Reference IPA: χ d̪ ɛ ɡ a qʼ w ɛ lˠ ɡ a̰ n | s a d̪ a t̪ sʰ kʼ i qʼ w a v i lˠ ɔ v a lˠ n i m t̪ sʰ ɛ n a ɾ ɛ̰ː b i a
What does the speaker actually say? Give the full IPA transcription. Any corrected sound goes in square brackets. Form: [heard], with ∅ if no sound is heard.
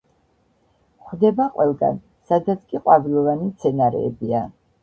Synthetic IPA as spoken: χ d̪ ɛ [b] a qʼ w ɛ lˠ ɡ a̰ n | s a d̪ a t̪ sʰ kʼ i qʼ w a v i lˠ ɔ v a [∅] n i m t̪ sʰ ɛ n a ɾ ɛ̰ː b i a